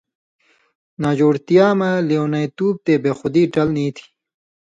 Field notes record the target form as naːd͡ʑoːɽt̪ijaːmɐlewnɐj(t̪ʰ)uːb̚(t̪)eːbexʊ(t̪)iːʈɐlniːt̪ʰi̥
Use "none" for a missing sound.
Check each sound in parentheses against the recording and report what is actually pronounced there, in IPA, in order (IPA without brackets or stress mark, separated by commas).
t̪, t̪, d̪